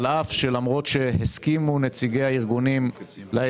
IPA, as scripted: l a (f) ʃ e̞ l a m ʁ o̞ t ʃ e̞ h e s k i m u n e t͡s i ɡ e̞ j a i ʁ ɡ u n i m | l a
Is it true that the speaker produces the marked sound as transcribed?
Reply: yes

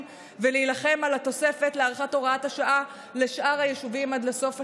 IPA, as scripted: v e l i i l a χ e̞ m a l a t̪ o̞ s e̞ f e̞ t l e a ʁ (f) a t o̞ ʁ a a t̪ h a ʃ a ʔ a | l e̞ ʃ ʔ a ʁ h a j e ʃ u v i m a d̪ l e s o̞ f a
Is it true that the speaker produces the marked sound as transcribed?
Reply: no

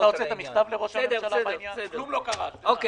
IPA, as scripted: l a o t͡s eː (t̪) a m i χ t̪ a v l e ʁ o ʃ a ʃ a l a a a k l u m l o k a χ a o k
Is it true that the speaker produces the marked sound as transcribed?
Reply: yes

